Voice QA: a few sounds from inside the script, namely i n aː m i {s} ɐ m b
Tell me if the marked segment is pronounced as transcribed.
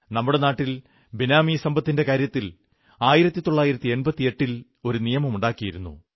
yes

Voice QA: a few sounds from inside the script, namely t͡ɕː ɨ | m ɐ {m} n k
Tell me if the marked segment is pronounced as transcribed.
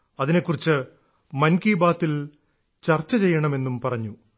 no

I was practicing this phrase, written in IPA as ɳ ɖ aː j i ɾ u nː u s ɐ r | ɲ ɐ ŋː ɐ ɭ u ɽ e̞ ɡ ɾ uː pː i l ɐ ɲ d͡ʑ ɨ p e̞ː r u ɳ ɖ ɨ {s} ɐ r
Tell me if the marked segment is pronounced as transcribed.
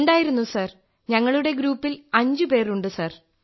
yes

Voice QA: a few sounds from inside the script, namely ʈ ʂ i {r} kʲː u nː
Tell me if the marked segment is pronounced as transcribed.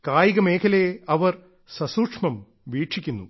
no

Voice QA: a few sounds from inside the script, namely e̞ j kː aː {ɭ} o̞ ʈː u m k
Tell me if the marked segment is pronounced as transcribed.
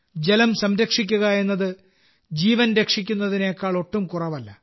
yes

